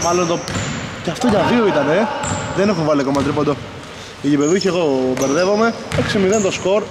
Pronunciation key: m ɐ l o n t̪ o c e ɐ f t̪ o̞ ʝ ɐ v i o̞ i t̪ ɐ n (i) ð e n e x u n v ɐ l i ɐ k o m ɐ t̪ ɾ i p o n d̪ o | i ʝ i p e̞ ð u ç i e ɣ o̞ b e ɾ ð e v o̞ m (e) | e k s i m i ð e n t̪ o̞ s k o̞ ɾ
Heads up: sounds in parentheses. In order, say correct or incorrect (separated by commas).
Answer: incorrect, correct